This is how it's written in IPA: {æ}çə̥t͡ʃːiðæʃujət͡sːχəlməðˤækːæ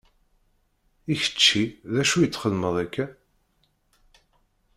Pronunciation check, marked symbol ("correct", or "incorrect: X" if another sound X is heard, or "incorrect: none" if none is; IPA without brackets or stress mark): incorrect: i